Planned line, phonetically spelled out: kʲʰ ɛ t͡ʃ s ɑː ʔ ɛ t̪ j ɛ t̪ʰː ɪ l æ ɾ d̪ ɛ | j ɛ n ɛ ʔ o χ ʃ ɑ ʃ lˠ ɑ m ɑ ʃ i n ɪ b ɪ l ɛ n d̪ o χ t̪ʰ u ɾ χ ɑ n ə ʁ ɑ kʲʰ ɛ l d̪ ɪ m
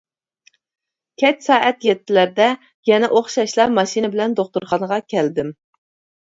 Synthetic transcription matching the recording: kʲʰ ɛ t͡ʃ s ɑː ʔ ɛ t̪ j ɛ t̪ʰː ɪ l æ ɾ d̪ ɛ | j ɛ n ɛ ʔ o χ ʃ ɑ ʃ lˠ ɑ m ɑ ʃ i n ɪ b ɪ l ɛ n d̪ o χ t̪ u ɾ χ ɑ n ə ʁ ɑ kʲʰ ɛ l d̪ ɪ m